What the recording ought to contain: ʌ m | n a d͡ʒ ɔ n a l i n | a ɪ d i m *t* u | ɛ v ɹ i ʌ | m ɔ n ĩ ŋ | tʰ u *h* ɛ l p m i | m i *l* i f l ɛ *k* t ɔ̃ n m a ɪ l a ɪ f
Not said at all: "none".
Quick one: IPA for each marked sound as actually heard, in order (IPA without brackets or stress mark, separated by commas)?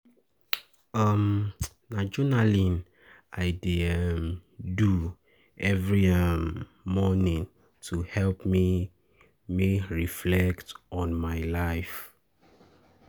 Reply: d, h, ɹ, k